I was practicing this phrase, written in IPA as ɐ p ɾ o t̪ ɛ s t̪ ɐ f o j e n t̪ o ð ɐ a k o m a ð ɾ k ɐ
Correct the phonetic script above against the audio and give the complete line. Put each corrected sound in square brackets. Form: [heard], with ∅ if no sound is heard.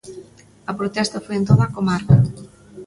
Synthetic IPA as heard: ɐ p ɾ o t̪ ɛ s t̪ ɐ f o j e n t̪ o ð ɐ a k o m a [∅] ɾ k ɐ